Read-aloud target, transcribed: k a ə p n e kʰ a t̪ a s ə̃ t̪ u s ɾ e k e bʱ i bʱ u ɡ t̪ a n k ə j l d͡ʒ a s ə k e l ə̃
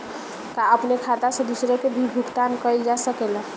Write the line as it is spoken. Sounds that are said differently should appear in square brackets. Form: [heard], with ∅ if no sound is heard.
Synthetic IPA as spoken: k a ə p n e kʰ a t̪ a s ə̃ [d̪] u s ɾ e k e bʱ i bʱ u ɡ t̪ a n k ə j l d͡ʒ a s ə k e l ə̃